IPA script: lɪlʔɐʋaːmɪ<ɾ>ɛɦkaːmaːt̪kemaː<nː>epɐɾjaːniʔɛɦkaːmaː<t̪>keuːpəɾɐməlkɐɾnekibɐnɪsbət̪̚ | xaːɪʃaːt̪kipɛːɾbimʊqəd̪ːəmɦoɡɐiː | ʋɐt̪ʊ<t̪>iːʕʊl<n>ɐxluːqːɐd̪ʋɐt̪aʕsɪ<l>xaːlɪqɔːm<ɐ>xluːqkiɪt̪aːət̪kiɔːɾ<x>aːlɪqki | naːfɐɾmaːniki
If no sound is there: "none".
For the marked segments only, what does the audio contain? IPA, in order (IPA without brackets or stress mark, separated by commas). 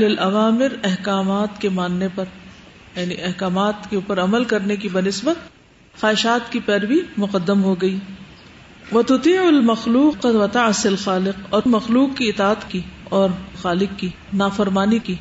ɾ, nː, t̪, t̪, m, l, ɐ, x